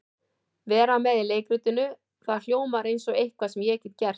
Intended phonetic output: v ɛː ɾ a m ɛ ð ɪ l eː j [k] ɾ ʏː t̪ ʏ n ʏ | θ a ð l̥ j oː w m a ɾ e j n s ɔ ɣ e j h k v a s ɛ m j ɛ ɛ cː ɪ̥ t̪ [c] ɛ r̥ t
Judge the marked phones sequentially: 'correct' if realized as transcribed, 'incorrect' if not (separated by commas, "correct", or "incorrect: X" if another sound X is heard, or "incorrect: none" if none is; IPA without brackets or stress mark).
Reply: correct, correct